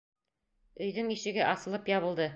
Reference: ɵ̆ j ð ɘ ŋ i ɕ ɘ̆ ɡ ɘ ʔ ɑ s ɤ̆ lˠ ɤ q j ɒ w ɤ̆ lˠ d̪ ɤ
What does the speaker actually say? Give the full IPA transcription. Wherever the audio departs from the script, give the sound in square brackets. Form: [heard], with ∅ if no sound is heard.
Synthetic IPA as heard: ɵ̆ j ð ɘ ŋ i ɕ ɘ̆ ɡ ɘ ʔ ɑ s ɤ̆ lˠ ɤ [p] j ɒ [β] ɤ̆ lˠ d̪ ɤ